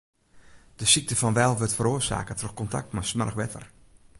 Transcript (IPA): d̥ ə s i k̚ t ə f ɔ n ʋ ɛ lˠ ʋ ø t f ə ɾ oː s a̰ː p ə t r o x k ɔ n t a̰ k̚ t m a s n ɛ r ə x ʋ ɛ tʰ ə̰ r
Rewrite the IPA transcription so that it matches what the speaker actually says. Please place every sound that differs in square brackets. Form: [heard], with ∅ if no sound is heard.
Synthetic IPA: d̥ ə s i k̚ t ə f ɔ n ʋ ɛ lˠ ʋ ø t f ə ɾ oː s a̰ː [k] ə t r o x k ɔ n t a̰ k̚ t m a s [m] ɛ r ə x ʋ ɛ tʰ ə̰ r